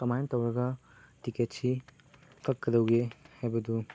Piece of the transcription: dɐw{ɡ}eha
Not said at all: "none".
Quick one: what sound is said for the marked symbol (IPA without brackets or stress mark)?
ɡ